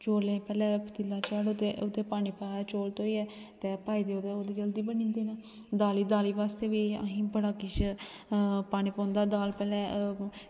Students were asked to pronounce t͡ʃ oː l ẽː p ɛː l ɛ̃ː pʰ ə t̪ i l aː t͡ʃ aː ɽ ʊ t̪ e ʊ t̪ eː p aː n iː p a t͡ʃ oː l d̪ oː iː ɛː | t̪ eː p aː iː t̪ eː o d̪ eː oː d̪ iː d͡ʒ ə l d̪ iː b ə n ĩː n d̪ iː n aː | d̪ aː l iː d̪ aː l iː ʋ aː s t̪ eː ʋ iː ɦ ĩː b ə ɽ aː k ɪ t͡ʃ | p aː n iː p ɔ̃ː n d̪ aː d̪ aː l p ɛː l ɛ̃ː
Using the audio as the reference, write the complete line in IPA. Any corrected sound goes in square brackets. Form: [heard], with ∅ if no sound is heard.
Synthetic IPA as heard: t͡ʃ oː l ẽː p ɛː l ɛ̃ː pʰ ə t̪ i l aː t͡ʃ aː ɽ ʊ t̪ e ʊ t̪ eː p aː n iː p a t͡ʃ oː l [t̪] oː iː ɛː | t̪ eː p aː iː [d̪] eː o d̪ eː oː d̪ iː d͡ʒ ə l d̪ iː b ə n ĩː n d̪ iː n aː | d̪ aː l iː d̪ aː l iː ʋ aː s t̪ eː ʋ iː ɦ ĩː b ə ɽ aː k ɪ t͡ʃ | p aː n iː p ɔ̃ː n d̪ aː d̪ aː l p ɛː l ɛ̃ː